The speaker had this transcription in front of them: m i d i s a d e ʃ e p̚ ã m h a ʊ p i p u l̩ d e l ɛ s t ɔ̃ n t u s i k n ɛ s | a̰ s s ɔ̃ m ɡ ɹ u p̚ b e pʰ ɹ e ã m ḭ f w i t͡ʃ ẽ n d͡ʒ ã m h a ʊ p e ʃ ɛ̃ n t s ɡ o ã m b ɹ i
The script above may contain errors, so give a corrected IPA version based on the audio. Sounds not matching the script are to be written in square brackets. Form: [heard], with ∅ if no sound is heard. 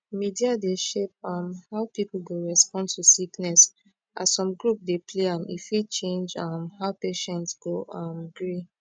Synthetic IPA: m i d i [∅] a d e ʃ e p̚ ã m h a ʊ p i p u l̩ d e [ɹ] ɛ s [p] ɔ̃ n t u s i k n ɛ s | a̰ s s ɔ̃ m ɡ ɹ u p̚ [d] e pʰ [l] e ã m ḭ f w i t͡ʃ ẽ n d͡ʒ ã m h a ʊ p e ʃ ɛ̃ n t s ɡ o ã m [ɡ] ɹ i